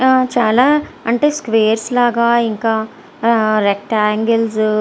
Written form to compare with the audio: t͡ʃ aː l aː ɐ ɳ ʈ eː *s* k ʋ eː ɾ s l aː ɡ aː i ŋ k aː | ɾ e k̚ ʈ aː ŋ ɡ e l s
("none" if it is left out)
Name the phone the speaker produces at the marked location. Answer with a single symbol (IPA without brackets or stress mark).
s